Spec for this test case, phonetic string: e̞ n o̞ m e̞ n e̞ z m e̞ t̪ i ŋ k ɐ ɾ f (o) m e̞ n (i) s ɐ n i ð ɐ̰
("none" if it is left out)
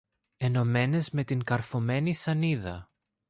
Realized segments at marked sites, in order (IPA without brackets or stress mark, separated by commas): o, i